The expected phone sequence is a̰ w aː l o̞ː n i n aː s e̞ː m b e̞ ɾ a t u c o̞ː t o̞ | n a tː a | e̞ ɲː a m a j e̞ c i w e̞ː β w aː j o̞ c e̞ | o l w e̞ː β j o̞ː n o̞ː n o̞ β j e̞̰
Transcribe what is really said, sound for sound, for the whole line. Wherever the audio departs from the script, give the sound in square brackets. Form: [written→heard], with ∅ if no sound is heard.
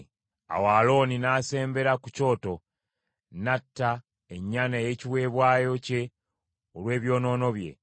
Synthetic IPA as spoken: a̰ w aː l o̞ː n i n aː s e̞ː m b e̞ ɾ a [t→k] u c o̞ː t o̞ | n a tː a | e̞ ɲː a [m→n] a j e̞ c i w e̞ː β w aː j o̞ c e̞ | o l w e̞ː β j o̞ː n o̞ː n o̞ β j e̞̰